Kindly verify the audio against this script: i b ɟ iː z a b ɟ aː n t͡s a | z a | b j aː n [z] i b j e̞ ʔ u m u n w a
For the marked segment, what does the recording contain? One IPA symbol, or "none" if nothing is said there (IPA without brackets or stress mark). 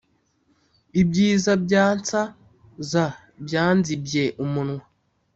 z